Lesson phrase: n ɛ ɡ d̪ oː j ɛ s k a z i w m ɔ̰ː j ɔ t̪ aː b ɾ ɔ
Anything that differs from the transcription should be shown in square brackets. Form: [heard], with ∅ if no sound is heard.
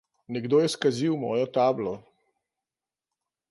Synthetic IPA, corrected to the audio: n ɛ ɡ d̪ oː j ɛ s k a z i w m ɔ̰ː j ɔ t̪ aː b [l] ɔ